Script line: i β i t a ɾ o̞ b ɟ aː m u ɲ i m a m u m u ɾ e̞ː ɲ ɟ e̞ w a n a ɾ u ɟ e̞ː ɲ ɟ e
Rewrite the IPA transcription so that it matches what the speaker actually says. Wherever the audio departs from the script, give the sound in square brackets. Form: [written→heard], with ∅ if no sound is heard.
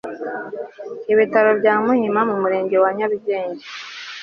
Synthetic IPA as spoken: i β i t a ɾ o̞ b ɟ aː m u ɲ i m a m u m u ɾ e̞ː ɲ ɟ e̞ w a [n→ɲ] a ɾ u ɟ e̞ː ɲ ɟ e